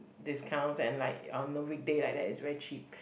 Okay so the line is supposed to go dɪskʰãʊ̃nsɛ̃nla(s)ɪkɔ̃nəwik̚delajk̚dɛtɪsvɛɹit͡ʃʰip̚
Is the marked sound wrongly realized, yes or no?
yes